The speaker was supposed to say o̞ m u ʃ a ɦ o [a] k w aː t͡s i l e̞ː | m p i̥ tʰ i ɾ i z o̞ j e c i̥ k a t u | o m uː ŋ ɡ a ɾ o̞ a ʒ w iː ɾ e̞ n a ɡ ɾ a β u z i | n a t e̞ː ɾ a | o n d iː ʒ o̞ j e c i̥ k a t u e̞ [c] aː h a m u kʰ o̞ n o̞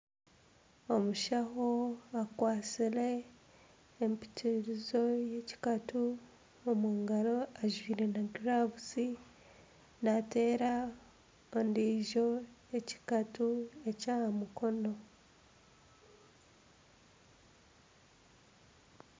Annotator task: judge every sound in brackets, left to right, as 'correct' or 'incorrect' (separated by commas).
correct, correct